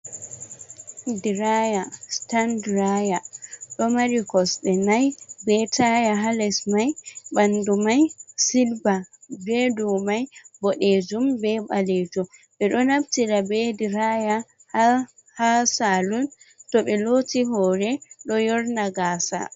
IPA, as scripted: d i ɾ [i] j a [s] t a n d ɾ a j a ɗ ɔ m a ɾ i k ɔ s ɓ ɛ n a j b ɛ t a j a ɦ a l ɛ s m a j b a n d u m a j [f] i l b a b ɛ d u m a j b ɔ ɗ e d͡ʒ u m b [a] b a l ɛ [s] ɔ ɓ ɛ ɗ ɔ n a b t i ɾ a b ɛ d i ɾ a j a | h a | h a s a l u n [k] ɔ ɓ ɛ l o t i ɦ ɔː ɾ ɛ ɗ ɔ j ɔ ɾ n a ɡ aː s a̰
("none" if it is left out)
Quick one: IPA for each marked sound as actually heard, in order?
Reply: a, s, s, ɛ, t, t

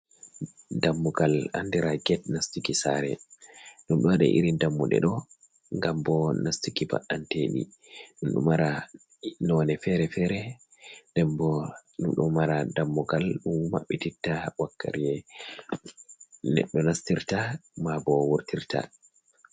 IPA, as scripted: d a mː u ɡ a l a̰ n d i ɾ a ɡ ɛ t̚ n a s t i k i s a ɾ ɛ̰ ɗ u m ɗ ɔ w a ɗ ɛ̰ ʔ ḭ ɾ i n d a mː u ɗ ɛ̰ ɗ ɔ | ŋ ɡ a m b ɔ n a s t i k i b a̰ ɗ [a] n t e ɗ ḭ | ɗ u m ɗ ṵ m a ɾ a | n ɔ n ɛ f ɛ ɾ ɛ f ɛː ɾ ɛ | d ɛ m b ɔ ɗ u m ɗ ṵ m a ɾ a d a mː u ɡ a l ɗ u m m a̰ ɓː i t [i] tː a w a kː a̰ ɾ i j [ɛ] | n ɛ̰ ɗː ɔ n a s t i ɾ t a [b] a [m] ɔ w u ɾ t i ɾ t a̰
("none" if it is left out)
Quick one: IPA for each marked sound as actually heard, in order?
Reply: a, i, ɛ, m, b

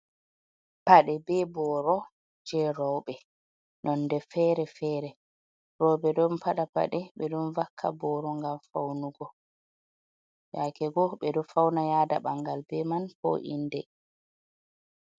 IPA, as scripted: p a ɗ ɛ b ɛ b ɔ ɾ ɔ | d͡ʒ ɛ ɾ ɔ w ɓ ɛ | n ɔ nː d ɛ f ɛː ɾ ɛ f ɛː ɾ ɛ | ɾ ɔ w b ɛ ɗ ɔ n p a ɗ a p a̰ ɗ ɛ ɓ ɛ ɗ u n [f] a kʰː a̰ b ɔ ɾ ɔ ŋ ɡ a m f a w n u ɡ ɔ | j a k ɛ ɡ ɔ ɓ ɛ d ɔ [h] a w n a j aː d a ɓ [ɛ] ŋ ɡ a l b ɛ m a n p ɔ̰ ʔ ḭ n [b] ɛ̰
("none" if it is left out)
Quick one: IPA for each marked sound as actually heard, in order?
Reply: v, f, a, d

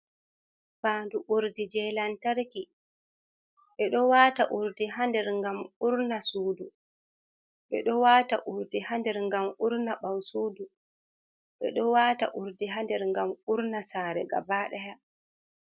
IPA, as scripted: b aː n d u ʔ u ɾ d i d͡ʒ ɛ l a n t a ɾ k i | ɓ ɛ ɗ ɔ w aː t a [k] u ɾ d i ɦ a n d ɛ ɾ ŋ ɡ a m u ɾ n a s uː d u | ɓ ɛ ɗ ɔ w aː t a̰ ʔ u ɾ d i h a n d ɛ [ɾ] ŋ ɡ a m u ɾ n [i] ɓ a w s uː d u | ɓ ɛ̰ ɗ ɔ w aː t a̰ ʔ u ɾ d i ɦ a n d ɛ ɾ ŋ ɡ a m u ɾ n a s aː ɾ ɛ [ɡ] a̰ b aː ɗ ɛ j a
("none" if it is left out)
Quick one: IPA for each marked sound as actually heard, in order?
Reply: ʔ, ɾ, a, ɡ

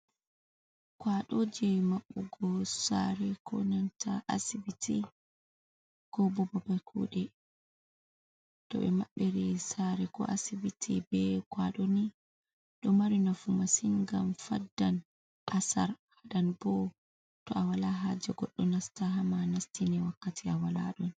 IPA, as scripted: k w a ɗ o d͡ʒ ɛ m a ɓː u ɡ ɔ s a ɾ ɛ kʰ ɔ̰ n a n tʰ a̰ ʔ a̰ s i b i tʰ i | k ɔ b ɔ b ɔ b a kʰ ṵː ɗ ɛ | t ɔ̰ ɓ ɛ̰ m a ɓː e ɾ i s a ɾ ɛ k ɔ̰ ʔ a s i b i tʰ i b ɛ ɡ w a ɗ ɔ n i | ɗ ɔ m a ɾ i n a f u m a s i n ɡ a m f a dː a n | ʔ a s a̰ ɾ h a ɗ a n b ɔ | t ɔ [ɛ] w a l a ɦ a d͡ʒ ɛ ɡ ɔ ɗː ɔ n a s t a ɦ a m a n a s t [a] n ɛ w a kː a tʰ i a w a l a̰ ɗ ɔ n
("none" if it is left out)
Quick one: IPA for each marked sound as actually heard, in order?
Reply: a, i

